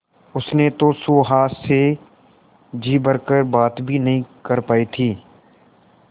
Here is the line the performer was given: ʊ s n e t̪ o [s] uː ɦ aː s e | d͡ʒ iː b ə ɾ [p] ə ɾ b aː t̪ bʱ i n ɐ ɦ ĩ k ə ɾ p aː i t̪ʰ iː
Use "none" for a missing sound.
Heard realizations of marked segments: s, k

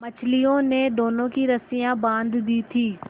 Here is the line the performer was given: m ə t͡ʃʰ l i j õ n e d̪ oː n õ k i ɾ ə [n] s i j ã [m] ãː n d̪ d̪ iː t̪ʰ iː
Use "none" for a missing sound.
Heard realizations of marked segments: none, b

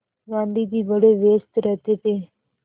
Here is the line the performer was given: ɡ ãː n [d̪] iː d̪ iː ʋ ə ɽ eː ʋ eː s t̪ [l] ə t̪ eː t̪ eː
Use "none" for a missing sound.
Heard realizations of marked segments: d̪, ɾ

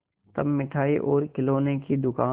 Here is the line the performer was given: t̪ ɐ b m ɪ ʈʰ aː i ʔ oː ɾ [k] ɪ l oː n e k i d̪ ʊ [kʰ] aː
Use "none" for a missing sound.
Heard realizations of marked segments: k, k

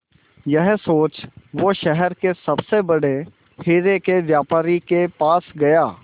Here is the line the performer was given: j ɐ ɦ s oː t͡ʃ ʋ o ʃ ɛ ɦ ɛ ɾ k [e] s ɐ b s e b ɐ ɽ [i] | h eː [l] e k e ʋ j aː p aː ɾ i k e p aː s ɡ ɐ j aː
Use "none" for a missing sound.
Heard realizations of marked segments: e, e, ɾ

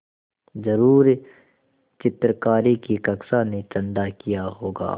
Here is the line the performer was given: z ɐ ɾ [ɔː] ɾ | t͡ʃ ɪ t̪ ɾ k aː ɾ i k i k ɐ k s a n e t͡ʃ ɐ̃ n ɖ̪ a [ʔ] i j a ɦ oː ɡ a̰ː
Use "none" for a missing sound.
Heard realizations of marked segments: uː, k

